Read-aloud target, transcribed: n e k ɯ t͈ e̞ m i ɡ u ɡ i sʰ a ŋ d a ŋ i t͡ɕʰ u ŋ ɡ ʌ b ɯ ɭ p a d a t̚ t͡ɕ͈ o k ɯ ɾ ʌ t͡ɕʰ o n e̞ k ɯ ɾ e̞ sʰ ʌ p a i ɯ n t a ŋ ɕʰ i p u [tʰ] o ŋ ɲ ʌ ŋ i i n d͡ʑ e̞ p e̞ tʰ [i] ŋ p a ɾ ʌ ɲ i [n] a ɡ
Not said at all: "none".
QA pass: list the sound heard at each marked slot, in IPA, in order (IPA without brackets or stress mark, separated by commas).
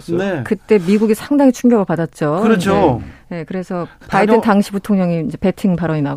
tʰ, i, n